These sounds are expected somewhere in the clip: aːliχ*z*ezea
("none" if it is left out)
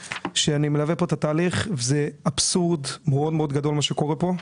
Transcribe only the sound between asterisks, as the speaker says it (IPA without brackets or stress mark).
v